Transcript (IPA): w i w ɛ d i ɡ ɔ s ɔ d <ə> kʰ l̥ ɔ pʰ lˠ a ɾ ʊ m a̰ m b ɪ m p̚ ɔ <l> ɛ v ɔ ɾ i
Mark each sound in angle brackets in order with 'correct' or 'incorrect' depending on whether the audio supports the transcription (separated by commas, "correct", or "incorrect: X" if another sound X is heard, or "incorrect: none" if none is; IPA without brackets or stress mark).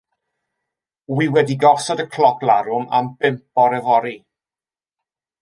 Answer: correct, incorrect: ɾ